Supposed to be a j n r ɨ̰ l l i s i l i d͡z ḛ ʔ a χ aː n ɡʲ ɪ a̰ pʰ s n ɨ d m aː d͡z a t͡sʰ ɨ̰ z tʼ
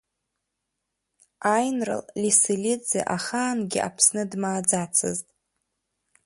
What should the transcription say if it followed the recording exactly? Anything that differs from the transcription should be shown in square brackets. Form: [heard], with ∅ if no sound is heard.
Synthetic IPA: a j n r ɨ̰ l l i s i l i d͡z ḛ ʔ a χ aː n ɡʲ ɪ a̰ pʰ s n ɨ d m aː d͡z a t͡sʰ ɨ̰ z tʼ